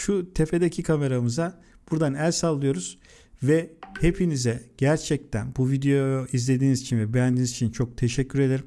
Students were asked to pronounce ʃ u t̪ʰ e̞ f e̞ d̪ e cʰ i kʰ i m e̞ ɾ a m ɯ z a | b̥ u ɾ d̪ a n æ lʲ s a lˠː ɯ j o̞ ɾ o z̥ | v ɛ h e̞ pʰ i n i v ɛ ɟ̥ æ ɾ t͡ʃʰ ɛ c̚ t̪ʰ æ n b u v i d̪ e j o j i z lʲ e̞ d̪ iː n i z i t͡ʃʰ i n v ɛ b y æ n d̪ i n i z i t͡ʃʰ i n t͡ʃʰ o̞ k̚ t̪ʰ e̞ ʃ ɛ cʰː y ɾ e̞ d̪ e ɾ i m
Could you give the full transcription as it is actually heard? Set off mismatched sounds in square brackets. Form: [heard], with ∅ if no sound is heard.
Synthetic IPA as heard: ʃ u t̪ʰ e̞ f e̞ d̪ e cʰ i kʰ [a] m e̞ ɾ a m ɯ z a | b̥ u ɾ d̪ a n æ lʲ s a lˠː ɯ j o̞ ɾ [u] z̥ | v ɛ h e̞ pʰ i n i [z] ɛ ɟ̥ æ ɾ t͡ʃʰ ɛ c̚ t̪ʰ æ n b u v i d̪ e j o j i z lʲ e̞ d̪ iː n i z i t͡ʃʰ i n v ɛ b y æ n d̪ i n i z i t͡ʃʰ i n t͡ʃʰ o̞ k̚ t̪ʰ e̞ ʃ ɛ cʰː y ɾ e̞ d̪ e ɾ i m